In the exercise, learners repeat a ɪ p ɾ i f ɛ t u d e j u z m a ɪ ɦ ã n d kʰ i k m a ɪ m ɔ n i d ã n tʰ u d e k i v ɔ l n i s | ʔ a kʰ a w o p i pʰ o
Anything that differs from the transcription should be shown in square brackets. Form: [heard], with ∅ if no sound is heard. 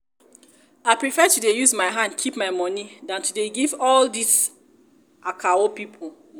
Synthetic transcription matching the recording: a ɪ p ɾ i f ɛ t u d e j u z m a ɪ ɦ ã n d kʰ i [p] m a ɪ m ɔ n i d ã n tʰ u d e [ɡ] i v ɔ l [d] i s | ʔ a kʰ a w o p i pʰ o